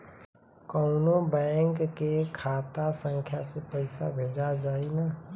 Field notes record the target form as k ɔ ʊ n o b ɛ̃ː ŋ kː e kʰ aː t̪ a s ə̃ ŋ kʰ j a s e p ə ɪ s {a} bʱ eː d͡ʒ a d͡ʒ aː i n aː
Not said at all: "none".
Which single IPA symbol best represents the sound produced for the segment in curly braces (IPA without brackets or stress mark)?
a